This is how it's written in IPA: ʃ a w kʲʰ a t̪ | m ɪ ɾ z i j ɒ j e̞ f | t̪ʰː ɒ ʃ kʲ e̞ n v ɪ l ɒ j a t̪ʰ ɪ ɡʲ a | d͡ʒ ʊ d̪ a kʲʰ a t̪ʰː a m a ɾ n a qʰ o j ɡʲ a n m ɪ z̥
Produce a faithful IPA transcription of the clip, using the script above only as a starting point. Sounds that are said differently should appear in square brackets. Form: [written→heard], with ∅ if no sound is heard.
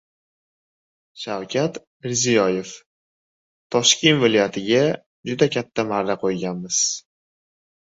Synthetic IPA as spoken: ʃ a w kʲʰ a t̪ | m ɪ ɾ z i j ɒ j e̞ f | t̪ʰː ɒ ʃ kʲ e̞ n v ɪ l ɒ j a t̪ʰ ɪ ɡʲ a | d͡ʒ ʊ d̪ a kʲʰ a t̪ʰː a m a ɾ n a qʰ o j ɡʲ a n m ɪ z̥